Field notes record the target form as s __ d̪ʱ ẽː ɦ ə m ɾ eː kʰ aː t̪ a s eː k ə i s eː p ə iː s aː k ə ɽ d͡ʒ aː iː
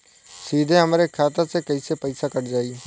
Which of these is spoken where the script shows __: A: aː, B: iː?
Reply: B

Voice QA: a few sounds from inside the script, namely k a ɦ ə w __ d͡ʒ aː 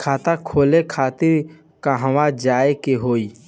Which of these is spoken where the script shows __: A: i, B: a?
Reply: B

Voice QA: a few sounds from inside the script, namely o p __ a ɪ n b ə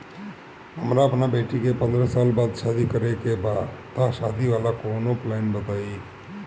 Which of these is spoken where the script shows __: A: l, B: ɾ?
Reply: A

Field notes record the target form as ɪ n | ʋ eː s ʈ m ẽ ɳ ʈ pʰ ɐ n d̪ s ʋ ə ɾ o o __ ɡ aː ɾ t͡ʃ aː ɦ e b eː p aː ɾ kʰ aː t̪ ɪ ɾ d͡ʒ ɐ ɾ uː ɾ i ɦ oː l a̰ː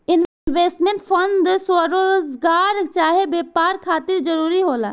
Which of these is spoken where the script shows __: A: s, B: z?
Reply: B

